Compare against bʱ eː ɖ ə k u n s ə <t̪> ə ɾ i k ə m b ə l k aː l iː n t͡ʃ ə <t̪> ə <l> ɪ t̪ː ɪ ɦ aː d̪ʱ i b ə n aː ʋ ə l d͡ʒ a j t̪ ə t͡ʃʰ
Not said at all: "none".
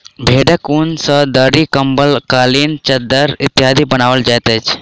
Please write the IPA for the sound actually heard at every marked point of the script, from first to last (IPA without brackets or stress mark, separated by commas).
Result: d̪, d̪, ɾ